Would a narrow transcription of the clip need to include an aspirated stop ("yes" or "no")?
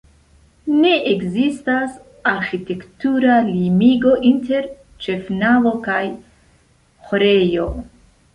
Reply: no